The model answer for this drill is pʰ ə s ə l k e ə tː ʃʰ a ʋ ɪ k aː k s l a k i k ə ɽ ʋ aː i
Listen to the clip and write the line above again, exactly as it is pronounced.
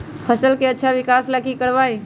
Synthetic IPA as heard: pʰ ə s ə l k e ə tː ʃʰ a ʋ ɪ k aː s l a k i k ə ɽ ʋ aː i

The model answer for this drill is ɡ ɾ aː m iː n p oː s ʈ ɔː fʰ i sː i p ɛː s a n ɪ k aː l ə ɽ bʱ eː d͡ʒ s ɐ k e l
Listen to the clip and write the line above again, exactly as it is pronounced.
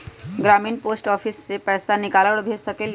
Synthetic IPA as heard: ɡ ɾ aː m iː n p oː s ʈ ɔː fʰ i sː e p ɛː s a n ɪ k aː l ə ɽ bʱ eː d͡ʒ s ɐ k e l

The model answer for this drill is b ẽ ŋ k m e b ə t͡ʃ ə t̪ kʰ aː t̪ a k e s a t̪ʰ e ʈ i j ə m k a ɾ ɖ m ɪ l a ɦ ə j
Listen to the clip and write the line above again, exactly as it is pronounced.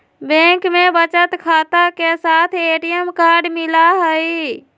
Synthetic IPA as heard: b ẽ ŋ k m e b ə t͡ʃ ə t̪ kʰ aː t̪ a k e s a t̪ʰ e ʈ i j ə m k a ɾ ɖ m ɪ l a ɦ ə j

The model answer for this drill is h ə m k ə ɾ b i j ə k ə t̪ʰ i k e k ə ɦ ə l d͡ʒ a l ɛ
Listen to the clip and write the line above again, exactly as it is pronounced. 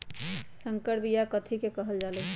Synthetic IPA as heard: s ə ŋ k ə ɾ b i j a k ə t̪ʰ i k e k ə ɦ ə l d͡ʒ a l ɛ

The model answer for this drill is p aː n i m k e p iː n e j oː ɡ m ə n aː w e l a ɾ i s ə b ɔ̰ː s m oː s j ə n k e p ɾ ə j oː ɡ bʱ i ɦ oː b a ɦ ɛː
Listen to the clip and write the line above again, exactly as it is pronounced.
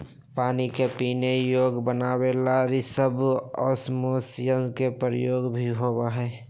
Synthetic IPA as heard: p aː n i k e p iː n e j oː ɡ b ə n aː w e l a ɾ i s ə b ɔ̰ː s m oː s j ə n k e p ɾ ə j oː ɡ bʱ i ɦ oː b a ɦ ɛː

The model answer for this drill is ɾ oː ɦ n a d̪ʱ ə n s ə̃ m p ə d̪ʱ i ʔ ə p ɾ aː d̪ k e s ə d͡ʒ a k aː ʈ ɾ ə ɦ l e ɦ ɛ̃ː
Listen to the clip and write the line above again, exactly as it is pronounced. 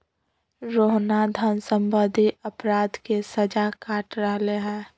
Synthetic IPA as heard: ɾ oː ɦ n a d̪ʱ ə n s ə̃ m b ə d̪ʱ i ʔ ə p ɾ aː d̪ k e s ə d͡ʒ a k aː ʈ ɾ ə ɦ l e ɦ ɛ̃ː

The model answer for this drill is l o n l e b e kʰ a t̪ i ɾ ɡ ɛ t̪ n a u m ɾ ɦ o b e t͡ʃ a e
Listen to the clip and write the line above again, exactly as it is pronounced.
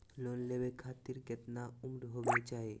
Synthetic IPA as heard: l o n l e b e kʰ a t̪ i ɾ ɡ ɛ t̪ n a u m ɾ ɦ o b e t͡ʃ a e

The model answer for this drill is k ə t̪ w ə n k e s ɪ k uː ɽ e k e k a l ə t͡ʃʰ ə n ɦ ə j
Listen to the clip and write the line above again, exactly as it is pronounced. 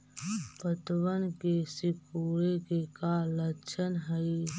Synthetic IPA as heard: p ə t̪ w ə n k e s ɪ k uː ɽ e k e k a l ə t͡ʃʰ ə n ɦ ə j

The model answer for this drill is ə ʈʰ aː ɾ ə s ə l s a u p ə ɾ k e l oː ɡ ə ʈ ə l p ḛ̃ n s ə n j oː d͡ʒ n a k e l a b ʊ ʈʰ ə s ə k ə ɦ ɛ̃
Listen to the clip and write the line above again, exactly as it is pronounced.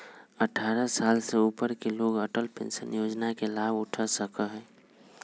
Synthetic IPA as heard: ə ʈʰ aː ɾ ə s a l s e u p ə ɾ k e l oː ɡ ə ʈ ə l p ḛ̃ n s ə n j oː d͡ʒ n a k e l a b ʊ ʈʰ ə s ə k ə ɦ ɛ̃

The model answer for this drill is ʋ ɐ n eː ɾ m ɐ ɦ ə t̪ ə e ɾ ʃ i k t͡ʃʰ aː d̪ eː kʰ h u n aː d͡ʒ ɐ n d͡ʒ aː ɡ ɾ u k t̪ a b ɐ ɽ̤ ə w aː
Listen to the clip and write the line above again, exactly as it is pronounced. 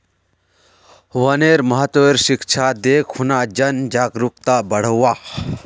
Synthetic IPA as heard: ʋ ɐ n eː ɾ m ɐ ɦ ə t̪ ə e ɾ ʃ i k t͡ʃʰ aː d̪ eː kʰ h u n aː d͡ʒ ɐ n d͡ʒ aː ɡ ɾ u k t̪ a b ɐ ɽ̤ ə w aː

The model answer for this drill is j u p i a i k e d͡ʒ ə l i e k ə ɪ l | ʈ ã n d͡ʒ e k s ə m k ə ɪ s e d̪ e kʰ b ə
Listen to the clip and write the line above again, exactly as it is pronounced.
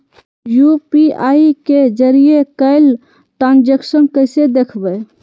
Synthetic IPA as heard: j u p i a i k e d͡ʒ ə ɾ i e k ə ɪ l | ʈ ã n d͡ʒ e k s ə n k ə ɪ s e d̪ e kʰ b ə

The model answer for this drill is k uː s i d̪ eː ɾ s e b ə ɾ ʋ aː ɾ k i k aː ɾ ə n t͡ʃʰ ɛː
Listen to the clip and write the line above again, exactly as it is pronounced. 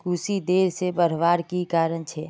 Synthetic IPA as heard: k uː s i d̪ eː ɾ s e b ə ɾ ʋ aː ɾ k i k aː ɾ ə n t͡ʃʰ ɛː

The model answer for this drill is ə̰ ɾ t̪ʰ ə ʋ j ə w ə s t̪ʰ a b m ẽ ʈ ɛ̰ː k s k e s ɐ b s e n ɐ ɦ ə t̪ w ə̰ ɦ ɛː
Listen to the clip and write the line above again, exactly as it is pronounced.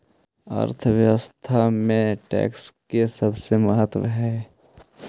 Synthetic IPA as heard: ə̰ ɾ t̪ʰ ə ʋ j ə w ə s t̪ʰ a m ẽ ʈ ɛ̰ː k s k e s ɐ b s e m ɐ ɦ ə t̪ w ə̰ ɦ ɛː

